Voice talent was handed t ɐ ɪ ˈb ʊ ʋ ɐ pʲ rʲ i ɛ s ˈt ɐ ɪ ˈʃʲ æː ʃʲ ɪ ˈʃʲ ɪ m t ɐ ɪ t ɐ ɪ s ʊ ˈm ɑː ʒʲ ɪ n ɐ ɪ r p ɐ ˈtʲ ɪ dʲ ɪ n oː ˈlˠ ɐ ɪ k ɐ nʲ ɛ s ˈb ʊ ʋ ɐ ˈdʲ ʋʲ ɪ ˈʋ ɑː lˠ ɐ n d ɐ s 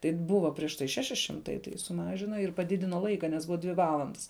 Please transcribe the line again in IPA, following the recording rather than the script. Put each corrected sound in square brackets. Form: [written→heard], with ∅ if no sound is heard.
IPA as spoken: t ɐ ɪ ˈb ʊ ʋ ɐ pʲ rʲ i ɛ [s→ʃ] ˈt ɐ ɪ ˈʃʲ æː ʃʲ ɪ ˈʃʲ ɪ m t ɐ ɪ t ɐ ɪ s ʊ ˈm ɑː ʒʲ ɪ n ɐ ɪ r p ɐ [ˈtʲ→ˈdʲ] ɪ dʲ ɪ n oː ˈlˠ ɐ ɪ k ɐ nʲ ɛ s ˈb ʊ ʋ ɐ ˈdʲ ʋʲ ɪ ˈʋ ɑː lˠ ɐ n d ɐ s